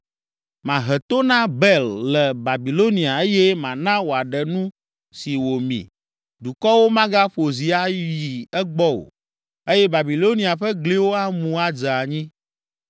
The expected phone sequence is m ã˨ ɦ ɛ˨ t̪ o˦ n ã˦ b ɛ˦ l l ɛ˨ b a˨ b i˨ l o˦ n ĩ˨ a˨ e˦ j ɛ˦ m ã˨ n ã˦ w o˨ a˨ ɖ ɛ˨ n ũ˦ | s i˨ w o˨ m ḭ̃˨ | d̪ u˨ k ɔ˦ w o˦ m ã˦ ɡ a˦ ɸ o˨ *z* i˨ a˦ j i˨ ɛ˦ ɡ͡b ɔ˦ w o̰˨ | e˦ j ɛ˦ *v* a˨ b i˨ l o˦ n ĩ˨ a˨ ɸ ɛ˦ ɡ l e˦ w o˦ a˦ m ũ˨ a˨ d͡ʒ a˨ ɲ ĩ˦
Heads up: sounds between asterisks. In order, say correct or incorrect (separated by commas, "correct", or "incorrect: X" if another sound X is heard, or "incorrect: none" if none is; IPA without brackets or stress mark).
correct, incorrect: b